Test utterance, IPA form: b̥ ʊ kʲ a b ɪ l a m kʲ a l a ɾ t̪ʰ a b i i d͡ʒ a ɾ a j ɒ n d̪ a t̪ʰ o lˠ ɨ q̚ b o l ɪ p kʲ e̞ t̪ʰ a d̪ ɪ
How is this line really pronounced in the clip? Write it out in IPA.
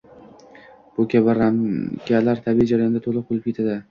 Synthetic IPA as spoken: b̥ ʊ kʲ a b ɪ ɾ a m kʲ a l a ɾ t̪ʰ a b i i d͡ʒ a ɾ a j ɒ n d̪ a t̪ʰ o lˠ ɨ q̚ b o l ɪ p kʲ e̞ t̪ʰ a d̪ ɪ